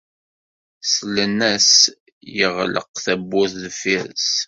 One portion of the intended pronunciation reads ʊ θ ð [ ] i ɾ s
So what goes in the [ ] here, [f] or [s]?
f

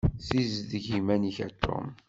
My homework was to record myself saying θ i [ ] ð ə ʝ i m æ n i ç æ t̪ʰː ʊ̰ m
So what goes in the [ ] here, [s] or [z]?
z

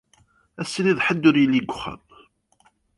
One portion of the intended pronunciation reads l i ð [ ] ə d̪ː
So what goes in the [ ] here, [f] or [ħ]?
ħ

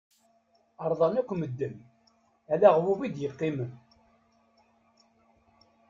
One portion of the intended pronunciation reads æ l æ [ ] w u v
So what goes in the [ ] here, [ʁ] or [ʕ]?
ʁ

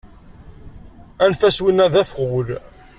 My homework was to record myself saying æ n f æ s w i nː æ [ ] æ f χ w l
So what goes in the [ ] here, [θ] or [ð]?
ð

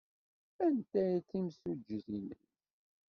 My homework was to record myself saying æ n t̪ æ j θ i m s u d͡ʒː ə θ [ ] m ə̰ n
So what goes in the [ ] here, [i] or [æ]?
i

